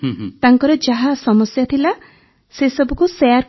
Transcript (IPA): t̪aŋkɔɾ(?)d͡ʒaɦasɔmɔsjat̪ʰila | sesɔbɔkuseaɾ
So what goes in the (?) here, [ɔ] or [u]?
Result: ɔ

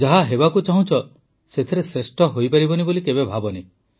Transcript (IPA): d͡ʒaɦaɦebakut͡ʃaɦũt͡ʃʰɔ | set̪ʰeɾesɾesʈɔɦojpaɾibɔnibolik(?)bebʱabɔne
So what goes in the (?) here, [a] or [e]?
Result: e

